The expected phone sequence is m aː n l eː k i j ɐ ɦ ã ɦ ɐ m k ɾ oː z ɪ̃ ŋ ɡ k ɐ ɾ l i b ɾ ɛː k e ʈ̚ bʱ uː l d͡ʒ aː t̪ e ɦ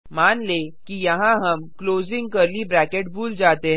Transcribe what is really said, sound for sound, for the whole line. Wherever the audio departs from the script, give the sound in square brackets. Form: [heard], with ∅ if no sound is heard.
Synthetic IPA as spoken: m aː n l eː k i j ɐ ɦ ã ɦ ɐ m k [l] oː z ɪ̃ ŋ ɡ k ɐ ɾ l i b ɾ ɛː k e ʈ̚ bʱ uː l d͡ʒ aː t̪ e ɦ